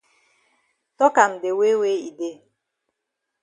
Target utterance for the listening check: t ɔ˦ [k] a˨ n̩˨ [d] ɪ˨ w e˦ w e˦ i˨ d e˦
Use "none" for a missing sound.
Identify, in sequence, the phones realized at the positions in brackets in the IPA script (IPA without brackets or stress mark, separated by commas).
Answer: k, d